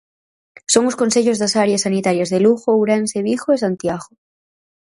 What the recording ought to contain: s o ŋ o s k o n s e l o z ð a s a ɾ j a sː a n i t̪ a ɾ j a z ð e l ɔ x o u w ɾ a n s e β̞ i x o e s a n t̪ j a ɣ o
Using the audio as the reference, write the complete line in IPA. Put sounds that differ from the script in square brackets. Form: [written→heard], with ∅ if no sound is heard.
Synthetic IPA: s o ŋ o s k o n s e [l→ʎ] o z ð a s a ɾ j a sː a n i t̪ a ɾ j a z ð e l [ɔ→u] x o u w ɾ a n s e β̞ i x o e s a n t̪ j a ɣ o